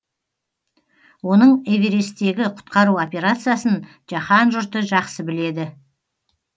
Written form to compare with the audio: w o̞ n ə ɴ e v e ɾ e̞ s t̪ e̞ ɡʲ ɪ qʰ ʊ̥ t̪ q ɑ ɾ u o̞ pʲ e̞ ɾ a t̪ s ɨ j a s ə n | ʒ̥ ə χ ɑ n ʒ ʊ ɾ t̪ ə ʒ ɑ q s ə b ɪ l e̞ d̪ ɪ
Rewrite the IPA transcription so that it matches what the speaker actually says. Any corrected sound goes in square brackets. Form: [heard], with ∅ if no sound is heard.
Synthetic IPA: w o̞ n ə ɴ e v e ɾ e̞ s t̪ e̞ ɡʲ ɪ qʰ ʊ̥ t̪ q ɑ ɾ u o̞ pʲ e̞ ɾ a t̪ s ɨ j a s ə n | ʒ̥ [ɑ] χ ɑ n ʒ ʊ ɾ t̪ ə ʒ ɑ q s ə b ɪ l e̞ d̪ ɪ